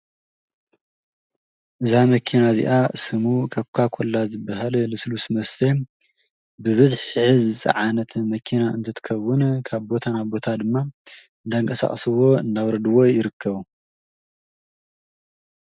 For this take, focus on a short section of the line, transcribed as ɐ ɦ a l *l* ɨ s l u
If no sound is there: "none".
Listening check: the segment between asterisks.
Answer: l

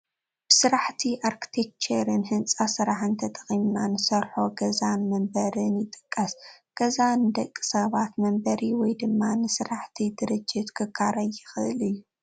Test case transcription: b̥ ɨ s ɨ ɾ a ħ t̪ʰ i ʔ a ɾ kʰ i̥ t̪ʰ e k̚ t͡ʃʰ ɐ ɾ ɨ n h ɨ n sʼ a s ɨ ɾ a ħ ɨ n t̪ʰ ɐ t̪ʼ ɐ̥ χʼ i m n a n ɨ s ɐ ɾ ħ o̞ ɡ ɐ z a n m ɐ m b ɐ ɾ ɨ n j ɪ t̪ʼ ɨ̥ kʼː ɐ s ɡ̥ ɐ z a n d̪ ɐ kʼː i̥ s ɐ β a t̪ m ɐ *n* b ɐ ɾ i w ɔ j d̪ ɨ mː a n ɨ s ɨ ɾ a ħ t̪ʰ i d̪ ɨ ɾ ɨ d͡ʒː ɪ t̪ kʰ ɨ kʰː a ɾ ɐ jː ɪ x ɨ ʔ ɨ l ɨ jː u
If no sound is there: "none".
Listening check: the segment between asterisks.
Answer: m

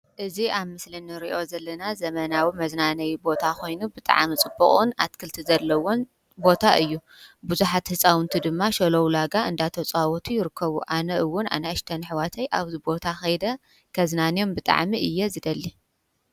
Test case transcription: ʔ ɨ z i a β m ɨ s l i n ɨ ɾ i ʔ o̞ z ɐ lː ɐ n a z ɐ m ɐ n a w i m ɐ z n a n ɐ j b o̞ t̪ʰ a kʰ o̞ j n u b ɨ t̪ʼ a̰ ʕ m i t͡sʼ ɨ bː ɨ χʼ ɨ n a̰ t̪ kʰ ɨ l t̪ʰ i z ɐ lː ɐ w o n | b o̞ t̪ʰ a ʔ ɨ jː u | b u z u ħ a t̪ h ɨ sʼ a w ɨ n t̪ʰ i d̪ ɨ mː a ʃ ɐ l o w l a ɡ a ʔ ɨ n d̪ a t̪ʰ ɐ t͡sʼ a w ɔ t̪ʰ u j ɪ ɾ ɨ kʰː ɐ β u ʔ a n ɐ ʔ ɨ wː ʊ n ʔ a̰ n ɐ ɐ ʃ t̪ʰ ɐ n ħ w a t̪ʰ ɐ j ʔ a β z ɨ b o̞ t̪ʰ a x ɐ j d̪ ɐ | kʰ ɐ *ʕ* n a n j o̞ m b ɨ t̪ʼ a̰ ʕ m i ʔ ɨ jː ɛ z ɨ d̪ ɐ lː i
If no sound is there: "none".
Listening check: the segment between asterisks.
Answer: z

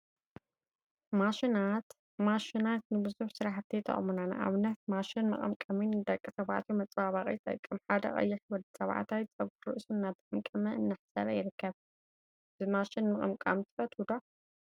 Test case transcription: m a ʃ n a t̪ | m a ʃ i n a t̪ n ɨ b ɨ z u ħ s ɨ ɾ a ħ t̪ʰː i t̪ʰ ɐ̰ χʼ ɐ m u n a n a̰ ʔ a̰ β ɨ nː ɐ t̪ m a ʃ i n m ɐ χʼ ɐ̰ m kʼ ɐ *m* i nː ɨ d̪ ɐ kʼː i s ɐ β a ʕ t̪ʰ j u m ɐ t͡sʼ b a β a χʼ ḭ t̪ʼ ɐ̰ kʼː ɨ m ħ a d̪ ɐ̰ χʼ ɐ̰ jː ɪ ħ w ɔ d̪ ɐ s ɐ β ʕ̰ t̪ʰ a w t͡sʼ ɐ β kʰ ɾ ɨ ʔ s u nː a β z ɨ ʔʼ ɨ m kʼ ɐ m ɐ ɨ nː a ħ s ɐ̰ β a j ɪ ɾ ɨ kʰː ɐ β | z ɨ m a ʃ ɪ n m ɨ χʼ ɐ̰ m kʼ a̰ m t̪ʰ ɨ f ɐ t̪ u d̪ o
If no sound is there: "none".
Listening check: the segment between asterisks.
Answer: m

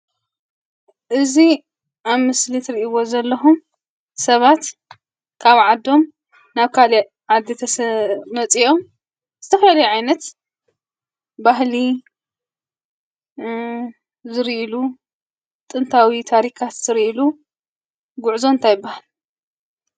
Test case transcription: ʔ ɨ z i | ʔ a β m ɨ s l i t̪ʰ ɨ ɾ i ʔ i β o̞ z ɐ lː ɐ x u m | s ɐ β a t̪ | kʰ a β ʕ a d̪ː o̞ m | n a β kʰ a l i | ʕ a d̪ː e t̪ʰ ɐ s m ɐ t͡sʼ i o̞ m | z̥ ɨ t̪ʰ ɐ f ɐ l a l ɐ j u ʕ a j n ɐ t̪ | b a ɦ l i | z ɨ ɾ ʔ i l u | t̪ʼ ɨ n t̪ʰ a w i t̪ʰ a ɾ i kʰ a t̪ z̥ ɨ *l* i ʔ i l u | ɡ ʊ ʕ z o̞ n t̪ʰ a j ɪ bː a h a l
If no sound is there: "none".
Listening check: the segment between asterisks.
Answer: ɾ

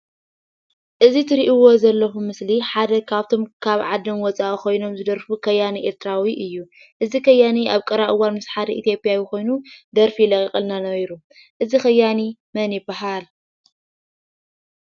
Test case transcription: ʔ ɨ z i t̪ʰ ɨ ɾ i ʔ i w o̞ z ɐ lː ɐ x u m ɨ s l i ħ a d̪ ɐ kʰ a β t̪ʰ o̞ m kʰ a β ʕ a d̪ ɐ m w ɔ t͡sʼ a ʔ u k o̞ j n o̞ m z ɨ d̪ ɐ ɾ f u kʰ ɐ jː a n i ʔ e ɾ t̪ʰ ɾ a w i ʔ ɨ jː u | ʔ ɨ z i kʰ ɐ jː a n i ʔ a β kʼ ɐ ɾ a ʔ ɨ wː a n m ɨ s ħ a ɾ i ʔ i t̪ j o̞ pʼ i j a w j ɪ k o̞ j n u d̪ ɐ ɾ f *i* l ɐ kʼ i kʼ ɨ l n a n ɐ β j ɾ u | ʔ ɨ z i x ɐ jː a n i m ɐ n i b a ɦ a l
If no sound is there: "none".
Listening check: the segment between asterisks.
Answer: i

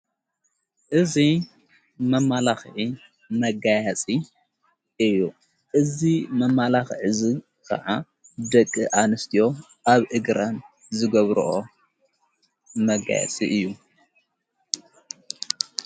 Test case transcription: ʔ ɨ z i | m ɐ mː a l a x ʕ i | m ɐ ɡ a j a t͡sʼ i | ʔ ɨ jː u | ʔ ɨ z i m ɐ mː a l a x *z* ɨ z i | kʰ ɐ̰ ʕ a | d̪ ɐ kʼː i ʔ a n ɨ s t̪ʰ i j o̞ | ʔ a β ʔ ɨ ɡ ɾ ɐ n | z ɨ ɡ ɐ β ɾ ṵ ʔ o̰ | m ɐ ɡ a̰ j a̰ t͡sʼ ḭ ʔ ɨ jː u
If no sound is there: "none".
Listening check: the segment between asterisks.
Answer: ʕ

